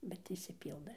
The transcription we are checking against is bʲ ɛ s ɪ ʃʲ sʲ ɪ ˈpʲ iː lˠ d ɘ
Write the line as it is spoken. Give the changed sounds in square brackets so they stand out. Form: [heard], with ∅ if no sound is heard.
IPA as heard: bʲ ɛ [t] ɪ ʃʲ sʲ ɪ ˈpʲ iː lˠ d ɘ